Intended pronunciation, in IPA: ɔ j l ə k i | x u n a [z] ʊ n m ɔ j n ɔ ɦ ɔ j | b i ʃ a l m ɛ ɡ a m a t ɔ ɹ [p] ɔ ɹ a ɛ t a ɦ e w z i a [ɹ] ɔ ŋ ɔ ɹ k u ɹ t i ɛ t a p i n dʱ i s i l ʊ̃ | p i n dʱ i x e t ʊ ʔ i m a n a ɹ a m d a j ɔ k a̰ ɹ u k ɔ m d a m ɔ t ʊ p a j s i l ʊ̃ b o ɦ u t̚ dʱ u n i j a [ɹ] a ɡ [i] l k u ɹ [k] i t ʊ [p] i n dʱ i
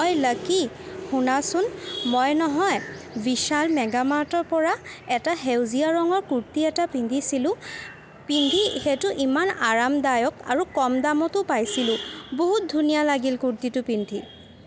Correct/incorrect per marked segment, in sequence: incorrect, correct, correct, incorrect, correct, incorrect, correct

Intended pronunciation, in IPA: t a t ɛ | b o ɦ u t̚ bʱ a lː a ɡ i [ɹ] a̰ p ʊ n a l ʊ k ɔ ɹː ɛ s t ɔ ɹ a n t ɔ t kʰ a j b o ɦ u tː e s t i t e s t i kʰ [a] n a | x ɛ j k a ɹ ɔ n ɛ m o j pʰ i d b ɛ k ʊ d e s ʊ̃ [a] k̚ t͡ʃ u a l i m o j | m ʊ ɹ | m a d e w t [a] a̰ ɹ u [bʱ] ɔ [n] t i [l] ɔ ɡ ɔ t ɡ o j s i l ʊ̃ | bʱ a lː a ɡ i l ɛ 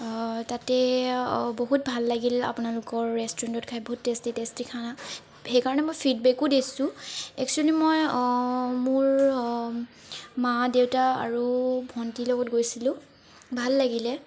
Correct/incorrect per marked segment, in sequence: incorrect, correct, incorrect, correct, correct, correct, correct

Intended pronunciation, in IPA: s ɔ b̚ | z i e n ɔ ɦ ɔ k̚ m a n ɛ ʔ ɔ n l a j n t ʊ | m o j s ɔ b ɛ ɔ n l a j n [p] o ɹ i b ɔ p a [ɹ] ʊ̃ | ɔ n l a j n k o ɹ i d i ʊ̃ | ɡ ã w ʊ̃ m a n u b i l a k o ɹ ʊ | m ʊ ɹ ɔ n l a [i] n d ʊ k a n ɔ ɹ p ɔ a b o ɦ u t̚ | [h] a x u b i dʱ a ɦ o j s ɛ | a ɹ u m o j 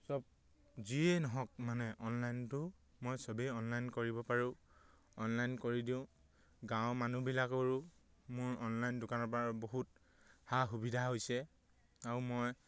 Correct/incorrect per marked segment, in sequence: incorrect, correct, incorrect, correct

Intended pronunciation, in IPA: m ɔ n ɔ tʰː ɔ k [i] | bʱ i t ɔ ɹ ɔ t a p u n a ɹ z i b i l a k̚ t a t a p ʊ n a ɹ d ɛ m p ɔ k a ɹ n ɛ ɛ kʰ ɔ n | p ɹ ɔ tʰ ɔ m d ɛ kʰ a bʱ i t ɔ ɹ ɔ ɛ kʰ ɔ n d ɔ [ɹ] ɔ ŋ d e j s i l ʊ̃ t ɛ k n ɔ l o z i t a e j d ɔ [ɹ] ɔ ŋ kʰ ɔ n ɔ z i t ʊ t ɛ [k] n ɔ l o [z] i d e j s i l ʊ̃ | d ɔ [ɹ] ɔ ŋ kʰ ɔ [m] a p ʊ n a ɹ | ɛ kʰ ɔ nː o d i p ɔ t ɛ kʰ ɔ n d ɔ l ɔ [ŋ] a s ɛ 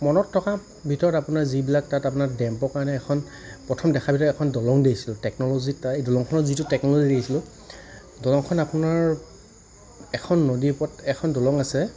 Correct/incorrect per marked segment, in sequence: incorrect, incorrect, incorrect, correct, correct, incorrect, incorrect, correct

